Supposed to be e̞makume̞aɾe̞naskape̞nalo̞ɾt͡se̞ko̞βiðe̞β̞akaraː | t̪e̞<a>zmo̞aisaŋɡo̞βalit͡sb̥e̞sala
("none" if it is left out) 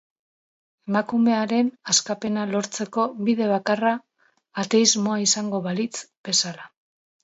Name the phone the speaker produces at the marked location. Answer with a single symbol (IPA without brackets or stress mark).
i